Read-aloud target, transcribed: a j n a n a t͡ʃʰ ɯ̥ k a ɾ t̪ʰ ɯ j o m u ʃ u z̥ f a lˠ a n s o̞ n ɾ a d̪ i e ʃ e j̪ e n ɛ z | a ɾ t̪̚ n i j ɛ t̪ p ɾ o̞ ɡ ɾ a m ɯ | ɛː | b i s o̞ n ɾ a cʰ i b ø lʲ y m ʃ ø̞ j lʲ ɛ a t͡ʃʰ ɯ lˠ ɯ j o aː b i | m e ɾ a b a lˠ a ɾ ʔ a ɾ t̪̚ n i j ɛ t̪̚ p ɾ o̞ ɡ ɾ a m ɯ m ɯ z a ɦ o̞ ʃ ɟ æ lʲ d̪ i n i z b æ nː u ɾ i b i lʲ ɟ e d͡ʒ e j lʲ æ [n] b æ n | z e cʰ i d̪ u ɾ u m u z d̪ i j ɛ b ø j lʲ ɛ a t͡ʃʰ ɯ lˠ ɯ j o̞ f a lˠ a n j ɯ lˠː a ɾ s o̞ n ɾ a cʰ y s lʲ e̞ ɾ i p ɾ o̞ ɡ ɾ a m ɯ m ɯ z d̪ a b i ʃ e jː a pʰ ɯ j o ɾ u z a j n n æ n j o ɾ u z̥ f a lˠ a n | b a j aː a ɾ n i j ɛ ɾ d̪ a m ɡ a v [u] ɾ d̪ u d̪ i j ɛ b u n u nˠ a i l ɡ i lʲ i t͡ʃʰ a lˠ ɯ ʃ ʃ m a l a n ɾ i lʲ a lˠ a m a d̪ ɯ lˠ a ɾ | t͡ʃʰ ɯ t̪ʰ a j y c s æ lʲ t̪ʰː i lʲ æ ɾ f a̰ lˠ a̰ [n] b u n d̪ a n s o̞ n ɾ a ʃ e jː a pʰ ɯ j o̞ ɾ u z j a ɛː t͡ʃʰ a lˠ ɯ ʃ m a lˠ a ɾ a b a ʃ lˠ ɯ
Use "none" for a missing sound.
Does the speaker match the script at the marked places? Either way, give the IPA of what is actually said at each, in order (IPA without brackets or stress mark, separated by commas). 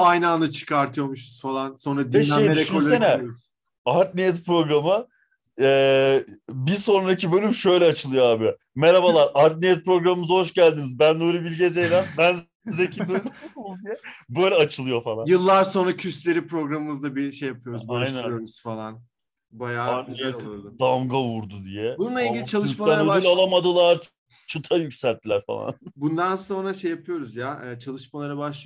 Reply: n, u, n